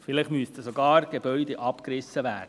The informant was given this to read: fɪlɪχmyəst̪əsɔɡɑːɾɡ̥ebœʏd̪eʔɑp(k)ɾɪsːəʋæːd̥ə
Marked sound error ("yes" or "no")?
no